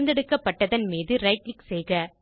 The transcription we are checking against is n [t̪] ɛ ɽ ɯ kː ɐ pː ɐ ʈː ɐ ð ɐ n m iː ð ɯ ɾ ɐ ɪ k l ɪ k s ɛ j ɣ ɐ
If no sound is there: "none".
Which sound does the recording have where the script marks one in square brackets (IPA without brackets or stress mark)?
d̪